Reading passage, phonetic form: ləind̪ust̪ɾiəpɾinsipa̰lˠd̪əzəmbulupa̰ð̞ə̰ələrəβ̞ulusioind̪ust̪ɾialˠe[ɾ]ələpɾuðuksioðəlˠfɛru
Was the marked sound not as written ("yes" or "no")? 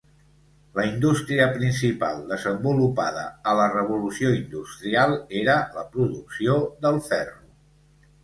no